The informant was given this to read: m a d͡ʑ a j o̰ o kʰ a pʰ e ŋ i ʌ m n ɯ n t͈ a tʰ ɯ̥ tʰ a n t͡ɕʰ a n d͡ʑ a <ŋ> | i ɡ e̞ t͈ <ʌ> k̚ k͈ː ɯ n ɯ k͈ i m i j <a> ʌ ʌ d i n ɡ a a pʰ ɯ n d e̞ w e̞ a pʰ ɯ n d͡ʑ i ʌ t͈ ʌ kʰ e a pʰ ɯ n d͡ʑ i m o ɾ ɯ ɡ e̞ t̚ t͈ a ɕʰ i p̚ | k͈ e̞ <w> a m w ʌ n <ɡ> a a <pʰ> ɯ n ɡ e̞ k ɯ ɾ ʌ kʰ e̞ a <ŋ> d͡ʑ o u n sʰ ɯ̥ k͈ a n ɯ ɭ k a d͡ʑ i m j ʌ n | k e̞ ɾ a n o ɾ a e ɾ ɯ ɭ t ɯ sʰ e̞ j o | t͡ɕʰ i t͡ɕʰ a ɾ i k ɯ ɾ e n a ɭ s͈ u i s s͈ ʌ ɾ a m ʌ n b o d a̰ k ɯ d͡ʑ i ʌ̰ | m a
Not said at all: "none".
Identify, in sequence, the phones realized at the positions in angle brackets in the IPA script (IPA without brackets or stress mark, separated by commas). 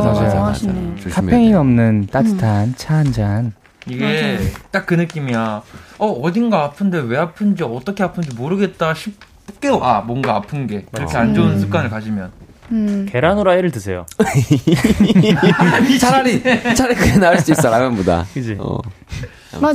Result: n, a, a, w, ɡ, pʰ, n